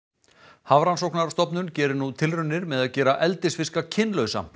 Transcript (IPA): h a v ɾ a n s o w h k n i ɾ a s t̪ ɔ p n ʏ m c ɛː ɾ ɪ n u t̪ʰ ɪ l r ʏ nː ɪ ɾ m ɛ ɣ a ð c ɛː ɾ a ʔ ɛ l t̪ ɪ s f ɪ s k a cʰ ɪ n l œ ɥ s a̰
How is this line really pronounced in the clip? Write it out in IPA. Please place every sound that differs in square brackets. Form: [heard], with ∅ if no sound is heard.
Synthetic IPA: h a v ɾ a n s o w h k n [a] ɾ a s t̪ ɔ p n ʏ [n] c ɛː ɾ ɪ n u t̪ʰ ɪ l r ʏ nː ɪ ɾ m ɛ [ð] a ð c ɛː ɾ a ʔ ɛ l t̪ ɪ s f ɪ s k a cʰ ɪ n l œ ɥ s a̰